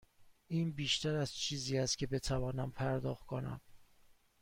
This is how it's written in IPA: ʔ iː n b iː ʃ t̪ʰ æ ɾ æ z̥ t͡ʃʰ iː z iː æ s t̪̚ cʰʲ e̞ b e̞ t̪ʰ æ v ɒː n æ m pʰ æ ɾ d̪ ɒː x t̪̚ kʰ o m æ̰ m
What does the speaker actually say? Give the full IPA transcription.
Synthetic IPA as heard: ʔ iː n b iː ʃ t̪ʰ æ ɾ æ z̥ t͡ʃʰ iː z iː æ s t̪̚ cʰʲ e̞ b e̞ t̪ʰ æ v ɒː n æ m pʰ æ ɾ d̪ ɒː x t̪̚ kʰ o n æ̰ m